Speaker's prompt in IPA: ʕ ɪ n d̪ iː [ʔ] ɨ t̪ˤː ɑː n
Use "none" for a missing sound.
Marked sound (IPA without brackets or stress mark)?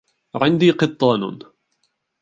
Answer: q